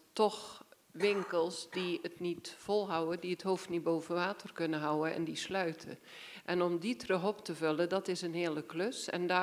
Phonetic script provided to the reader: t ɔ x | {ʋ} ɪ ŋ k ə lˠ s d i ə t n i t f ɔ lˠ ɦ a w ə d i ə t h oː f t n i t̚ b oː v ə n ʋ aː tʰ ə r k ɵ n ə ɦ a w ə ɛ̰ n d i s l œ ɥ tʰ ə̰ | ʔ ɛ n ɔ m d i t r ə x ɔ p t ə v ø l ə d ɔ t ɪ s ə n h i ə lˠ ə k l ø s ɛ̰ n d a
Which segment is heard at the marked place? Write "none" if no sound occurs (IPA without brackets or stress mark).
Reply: ʋ